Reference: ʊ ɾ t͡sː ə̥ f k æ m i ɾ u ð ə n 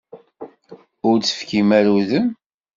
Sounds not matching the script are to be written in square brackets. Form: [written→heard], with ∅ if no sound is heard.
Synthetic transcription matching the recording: ʊ ɾ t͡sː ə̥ f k [æ→i] m [i→æ] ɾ u ð ə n